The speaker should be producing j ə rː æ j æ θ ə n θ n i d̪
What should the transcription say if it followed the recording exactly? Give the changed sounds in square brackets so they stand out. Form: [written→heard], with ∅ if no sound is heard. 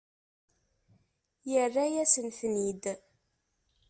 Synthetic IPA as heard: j ə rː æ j æ [θ→s] ə n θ n i d̪